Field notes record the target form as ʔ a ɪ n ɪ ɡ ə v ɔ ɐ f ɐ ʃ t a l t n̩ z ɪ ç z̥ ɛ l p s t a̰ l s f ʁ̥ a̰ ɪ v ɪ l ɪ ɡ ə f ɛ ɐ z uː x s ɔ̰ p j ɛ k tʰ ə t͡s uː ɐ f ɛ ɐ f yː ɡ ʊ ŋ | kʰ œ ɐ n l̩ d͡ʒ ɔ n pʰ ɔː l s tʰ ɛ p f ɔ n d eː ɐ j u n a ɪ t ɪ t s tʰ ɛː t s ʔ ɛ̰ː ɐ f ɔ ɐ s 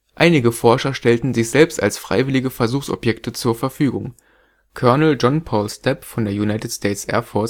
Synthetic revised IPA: ʔ a ɪ n ɪ ɡ ə f ɔ ɐ ʃ ɐ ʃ t ɛ l t n̩ z ɪ ç z̥ ɛ l p s t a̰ l s f ʁ̥ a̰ ɪ v ɪ l ɪ ɡ ə f ɛ ɐ z uː x s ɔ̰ p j ɛ k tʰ ə t͡s uː ɐ f ɛ ɐ f yː ɡ ʊ ŋ | kʰ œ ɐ n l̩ d͡ʒ ɔ n pʰ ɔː l s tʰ ɛ p f ɔ n d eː ɐ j u n a ɪ t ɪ t s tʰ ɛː t s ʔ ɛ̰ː ɐ f ɔ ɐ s